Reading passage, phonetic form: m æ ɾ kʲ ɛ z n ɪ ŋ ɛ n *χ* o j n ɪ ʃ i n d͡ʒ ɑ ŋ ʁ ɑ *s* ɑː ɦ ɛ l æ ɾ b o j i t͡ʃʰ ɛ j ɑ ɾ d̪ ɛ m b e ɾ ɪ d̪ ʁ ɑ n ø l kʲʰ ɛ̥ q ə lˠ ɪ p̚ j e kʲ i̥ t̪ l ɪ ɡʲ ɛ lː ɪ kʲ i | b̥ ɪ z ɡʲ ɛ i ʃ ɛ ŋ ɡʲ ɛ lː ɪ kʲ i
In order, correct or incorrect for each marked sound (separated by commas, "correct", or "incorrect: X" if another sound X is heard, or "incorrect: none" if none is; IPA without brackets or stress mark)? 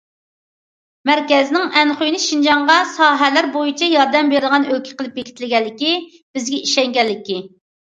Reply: correct, correct